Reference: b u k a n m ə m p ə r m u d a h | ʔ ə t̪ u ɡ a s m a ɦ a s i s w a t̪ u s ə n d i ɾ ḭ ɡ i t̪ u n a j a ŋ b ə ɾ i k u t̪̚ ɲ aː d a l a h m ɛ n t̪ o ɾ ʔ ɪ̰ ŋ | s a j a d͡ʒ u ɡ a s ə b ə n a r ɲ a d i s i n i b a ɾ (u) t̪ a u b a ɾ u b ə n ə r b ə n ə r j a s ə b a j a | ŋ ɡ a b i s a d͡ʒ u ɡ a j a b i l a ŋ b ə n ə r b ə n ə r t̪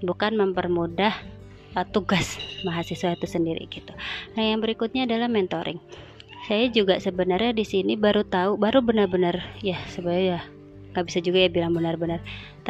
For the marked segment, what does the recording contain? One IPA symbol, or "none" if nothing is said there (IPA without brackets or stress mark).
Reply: u